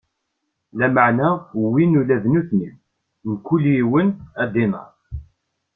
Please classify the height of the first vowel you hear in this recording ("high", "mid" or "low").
low